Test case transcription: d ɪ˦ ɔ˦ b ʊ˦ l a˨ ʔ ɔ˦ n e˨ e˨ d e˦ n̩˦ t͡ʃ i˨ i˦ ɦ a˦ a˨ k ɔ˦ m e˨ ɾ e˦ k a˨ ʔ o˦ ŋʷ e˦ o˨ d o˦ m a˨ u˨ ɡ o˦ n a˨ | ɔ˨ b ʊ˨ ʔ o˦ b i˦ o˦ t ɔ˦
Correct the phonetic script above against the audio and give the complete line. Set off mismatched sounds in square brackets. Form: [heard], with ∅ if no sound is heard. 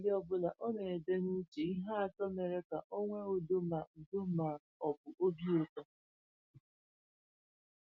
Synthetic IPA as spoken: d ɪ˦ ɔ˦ b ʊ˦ l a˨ ʔ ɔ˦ n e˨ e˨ d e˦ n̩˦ t͡ʃ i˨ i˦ ɦ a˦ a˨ [t] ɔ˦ m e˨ ɾ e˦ k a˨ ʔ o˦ ŋʷ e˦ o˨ d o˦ m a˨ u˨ [d] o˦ [m] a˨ | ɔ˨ b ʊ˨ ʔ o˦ b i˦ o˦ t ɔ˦